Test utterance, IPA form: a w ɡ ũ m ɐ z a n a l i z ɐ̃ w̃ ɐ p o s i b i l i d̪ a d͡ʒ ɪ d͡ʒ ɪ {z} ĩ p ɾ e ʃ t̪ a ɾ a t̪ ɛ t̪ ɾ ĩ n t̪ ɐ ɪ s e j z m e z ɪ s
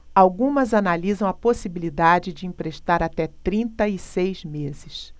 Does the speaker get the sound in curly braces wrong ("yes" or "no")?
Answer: yes